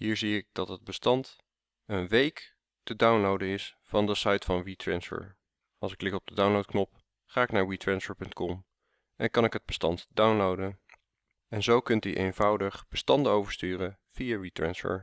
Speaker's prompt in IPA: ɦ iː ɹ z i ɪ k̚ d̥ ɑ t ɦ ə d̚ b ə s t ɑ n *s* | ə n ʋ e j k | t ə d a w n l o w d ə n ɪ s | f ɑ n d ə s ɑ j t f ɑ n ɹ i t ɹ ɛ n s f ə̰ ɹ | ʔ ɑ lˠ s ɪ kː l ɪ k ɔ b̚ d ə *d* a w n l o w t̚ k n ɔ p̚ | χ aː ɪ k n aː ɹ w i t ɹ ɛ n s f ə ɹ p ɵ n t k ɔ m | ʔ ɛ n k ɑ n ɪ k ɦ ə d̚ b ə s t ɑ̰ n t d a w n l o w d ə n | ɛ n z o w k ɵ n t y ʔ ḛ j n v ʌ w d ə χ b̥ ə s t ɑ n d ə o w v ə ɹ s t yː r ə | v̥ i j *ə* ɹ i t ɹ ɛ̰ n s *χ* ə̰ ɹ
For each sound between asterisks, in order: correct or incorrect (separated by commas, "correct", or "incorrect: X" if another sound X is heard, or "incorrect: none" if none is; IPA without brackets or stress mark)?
incorrect: t, correct, incorrect: a, incorrect: f